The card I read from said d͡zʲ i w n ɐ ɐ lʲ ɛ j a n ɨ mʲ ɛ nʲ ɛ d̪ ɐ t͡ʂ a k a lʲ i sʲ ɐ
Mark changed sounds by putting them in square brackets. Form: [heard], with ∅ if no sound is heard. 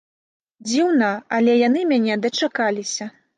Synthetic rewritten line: d͡zʲ i w n ɐ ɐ lʲ ɛ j a n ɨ mʲ [a] nʲ ɛ d̪ ɐ t͡ʂ a k a lʲ i sʲ ɐ